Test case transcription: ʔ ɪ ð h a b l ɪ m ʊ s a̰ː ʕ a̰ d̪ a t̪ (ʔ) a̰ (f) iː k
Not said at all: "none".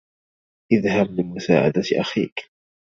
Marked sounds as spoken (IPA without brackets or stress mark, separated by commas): ʔ, x